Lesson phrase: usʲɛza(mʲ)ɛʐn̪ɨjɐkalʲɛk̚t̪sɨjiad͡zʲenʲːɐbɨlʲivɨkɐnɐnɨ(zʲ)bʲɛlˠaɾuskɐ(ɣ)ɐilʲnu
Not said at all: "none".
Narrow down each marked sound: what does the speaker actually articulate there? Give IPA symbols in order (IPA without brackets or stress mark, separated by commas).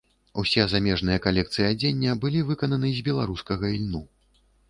mʲ, zʲ, ɣ